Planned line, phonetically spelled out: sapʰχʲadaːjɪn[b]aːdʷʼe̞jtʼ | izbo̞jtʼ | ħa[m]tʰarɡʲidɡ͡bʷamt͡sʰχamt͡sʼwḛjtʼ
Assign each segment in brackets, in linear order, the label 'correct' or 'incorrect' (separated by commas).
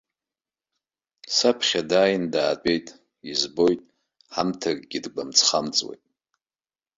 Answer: incorrect, correct